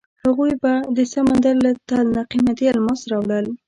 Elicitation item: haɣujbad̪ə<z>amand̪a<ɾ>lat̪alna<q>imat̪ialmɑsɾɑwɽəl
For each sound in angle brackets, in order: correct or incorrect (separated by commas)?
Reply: incorrect, correct, correct